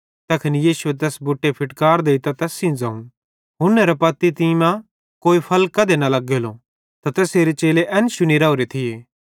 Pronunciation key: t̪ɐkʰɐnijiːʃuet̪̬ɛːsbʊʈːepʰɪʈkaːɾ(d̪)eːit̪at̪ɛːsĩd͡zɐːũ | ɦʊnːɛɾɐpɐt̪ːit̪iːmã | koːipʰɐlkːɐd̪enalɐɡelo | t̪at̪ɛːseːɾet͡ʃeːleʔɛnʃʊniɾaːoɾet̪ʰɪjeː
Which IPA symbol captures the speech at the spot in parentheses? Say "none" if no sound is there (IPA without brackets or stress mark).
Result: d̪